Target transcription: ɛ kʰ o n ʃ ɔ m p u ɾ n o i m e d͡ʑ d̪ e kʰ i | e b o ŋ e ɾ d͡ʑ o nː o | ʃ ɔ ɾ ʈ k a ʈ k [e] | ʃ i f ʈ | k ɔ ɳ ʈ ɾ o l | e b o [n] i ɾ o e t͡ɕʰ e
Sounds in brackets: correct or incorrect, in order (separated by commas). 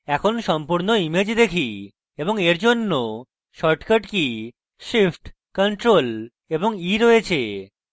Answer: incorrect, incorrect